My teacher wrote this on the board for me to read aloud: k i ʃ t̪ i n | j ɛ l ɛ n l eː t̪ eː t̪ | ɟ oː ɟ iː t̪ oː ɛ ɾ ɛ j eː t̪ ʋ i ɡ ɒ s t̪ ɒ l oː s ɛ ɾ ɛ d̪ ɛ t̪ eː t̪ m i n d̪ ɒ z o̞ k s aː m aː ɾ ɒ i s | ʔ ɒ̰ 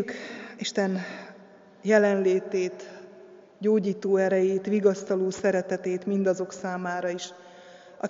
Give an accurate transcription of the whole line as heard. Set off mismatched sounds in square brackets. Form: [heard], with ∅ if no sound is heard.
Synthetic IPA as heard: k i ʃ t̪ [ɛ] n | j ɛ l ɛ n l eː t̪ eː t̪ | ɟ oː ɟ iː t̪ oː ɛ ɾ ɛ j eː t̪ ʋ i ɡ ɒ s t̪ ɒ l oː s ɛ ɾ ɛ [t̪] ɛ t̪ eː t̪ m i n d̪ ɒ z o̞ k s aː m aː ɾ ɒ i [ʃ] | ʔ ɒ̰